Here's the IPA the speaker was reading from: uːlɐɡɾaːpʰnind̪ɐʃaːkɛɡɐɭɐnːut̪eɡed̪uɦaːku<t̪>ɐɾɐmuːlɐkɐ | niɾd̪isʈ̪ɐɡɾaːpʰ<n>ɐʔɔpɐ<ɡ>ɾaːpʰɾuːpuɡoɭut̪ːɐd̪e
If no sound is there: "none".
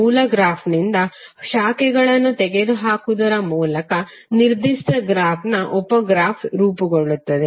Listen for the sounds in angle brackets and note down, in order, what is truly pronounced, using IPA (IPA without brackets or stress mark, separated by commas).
d̪, n, ɡ